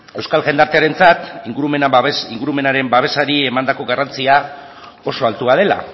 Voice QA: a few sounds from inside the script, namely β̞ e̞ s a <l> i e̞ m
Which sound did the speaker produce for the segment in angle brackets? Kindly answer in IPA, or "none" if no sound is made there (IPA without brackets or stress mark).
ɾ